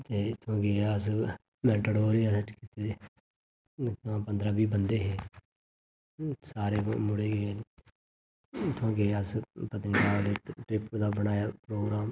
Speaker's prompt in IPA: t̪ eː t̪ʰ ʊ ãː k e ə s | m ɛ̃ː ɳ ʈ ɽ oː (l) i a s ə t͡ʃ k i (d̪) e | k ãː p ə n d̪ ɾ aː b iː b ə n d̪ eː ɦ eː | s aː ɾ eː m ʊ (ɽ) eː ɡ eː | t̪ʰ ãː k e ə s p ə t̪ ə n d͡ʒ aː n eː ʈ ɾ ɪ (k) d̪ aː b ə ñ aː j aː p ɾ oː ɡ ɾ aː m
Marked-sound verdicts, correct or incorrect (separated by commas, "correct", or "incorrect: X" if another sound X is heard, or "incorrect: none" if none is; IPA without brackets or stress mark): incorrect: ɾ, incorrect: t̪, correct, incorrect: p